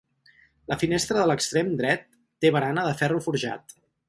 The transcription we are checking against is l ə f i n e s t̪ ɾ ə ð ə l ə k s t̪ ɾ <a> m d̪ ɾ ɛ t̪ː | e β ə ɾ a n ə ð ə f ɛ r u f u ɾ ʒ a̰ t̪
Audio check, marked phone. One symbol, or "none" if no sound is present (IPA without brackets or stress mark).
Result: e